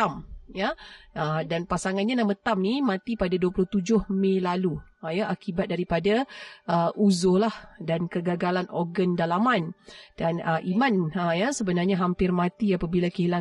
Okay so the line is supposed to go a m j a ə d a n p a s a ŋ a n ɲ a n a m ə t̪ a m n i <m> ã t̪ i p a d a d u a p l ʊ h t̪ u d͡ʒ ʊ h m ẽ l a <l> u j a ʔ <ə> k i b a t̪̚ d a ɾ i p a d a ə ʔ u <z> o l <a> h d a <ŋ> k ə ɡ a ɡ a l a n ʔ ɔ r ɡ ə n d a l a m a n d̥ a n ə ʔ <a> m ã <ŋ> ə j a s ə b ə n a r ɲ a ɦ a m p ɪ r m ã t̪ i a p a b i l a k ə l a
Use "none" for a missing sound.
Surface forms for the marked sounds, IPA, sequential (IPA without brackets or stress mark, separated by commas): m, l, a, z, a, n, i, n